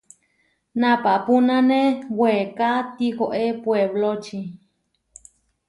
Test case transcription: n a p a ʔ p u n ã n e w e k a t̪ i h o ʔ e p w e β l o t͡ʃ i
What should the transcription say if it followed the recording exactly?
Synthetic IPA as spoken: n a p a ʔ p u n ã n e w e k a t̪ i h o ʔ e p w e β l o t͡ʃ i

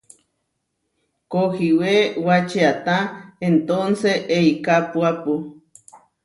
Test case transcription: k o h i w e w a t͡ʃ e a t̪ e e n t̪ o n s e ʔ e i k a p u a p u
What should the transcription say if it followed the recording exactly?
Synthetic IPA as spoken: k o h i w e w a t͡ʃ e a t̪ a e n t̪ o n s e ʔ e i k a p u a p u

